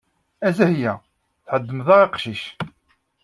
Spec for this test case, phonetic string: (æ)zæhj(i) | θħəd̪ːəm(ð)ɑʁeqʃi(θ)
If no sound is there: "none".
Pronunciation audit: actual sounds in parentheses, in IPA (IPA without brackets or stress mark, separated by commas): æ, æ, ð, ʃ